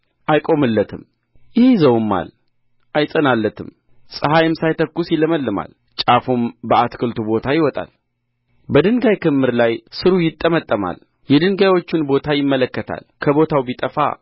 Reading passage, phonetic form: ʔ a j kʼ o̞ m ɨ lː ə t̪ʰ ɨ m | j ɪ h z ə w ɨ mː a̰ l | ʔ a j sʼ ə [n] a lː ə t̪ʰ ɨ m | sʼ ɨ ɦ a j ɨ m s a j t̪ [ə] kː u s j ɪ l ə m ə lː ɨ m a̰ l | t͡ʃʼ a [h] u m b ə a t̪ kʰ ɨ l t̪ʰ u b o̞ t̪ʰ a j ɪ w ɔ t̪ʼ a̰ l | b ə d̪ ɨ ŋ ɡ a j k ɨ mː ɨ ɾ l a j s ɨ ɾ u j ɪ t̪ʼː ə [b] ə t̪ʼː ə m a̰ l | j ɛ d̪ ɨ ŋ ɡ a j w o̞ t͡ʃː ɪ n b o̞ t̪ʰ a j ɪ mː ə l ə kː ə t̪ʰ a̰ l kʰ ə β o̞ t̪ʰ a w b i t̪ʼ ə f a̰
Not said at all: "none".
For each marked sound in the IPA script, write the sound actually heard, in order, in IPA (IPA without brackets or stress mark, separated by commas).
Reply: n, ə, f, m